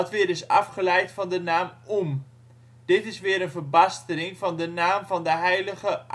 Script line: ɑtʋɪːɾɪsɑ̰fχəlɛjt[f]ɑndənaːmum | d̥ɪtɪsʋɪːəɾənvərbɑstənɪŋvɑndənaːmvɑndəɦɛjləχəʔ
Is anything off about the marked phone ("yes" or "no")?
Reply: no